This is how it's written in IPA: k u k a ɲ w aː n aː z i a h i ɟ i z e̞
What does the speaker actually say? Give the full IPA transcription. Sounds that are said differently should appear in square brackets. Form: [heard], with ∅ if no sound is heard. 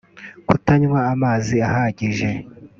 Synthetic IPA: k u [t] a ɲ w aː [m] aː z i a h [a] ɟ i [ʒ] e̞